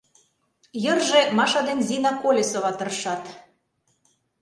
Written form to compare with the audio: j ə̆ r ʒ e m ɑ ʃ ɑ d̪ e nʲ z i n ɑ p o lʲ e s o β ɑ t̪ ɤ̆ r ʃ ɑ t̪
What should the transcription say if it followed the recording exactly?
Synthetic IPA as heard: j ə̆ r ʒ e m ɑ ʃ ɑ d̪ e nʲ z i n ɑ k o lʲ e s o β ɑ t̪ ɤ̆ r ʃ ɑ t̪

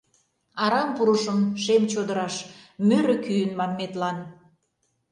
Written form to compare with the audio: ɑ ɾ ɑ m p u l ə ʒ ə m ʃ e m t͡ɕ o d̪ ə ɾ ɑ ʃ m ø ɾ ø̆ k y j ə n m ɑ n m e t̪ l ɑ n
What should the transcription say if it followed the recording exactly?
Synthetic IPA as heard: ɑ ɾ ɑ m p u ɾ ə ʃ ə m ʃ e m t͡ɕ o d̪ ə ɾ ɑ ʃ m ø ɾ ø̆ k y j ə n m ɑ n m e t̪ l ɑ n

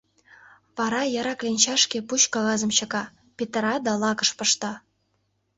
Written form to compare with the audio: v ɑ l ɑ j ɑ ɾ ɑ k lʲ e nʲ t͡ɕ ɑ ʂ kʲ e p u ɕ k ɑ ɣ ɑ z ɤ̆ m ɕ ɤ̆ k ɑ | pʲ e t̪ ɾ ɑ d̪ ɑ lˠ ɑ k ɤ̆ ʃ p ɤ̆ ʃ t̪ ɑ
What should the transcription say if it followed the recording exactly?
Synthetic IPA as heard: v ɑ ɾ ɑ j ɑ ɾ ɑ k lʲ e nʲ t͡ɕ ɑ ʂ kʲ e p u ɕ k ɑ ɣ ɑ z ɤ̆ m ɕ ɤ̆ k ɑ | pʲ e t̪ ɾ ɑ d̪ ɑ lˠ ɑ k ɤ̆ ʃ p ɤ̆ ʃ t̪ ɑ

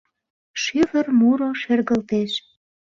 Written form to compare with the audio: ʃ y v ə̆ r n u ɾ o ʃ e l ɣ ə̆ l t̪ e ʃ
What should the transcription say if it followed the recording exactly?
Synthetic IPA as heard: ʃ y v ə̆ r m u ɾ o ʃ e r ɣ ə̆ l t̪ e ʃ

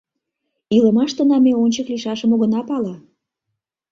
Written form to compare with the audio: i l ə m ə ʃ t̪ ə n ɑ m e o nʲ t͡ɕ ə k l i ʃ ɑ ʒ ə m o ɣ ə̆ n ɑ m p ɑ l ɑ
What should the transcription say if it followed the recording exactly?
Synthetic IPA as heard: i l ə m ɑ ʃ t̪ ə n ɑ m e o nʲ t͡ɕ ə k l i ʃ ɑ ʃ ə m o ɣ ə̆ n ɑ p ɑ l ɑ

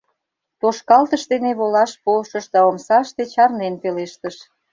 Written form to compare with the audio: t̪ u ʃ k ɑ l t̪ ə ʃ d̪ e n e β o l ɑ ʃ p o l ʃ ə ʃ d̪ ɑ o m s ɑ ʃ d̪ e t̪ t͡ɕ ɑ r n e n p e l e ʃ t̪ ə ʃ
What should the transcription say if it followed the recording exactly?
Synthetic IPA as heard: t̪ o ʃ k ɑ l t̪ ə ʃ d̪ e n e β o l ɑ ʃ p o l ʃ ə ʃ d̪ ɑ o m s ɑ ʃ t̪ e t͡ɕ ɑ r n e n p e l e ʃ t̪ ə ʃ

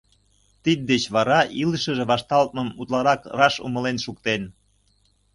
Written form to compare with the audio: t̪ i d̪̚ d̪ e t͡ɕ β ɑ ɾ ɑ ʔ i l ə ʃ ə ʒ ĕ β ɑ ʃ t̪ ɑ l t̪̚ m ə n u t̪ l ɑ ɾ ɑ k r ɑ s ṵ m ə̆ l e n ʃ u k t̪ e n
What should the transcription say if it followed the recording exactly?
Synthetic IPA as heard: t̪ i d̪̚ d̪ e t͡ɕ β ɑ ɾ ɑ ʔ i l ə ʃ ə ʒ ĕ β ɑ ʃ t̪ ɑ l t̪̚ m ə m u t̪ l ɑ ɾ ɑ k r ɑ ʃ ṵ m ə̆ l e n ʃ u k t̪ e n

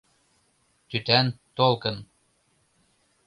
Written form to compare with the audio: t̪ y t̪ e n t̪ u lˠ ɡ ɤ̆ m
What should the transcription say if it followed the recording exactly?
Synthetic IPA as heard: t̪ y t̪ æ n t̪ o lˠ k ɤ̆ n

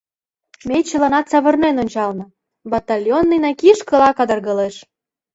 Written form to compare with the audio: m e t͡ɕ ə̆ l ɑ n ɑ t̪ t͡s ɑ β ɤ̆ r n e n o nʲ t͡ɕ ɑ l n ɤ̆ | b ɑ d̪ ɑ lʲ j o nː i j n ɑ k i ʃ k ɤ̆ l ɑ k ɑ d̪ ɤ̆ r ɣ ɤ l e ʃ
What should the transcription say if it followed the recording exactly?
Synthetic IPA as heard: m e t͡ɕ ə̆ l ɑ n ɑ t̪ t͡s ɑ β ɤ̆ r n e n o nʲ t͡ɕ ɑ l n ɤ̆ | b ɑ t̪ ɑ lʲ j o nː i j n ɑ k i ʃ k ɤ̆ l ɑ k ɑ d̪ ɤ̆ r ɣ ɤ l e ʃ

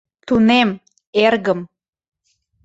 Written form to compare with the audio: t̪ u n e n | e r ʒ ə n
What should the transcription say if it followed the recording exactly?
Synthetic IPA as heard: t̪ u n e m | e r ɣ ə m

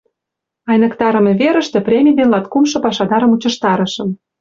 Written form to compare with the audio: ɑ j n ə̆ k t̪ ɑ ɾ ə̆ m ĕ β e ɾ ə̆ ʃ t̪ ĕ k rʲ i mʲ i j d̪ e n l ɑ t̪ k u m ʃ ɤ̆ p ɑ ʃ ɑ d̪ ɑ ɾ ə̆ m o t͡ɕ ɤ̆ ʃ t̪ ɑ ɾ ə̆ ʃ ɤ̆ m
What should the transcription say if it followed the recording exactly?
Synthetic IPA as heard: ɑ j n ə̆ k t̪ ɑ ɾ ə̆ m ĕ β e ɾ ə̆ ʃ t̪ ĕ p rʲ e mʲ i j d̪ e n l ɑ t̪ k u m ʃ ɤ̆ p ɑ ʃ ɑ d̪ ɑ ɾ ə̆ m u t͡ɕ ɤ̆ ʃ t̪ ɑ ɾ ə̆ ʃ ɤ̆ m

